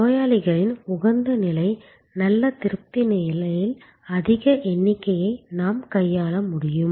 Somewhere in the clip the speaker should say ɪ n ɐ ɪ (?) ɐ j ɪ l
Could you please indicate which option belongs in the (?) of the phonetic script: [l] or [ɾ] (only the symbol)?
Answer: l